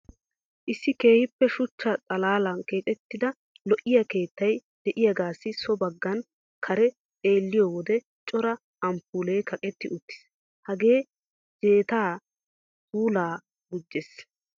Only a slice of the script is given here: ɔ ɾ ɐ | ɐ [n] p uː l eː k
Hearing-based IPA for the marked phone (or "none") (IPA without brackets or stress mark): m